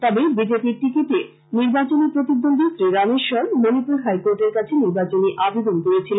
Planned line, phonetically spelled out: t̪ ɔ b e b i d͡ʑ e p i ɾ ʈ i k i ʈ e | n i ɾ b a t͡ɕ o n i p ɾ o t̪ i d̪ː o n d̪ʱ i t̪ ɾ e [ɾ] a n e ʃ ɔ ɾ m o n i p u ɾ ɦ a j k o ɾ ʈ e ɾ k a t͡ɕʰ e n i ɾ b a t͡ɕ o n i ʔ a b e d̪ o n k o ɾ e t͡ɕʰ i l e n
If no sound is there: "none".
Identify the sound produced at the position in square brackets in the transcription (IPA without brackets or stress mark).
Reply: ɾ